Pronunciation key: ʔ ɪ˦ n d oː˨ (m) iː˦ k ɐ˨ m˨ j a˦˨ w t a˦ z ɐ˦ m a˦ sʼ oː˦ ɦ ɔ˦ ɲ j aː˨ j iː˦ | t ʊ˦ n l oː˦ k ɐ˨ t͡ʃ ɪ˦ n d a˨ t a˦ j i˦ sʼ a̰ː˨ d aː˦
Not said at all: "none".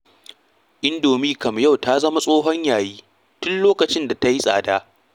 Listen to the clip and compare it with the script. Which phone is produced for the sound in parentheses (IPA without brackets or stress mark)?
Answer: m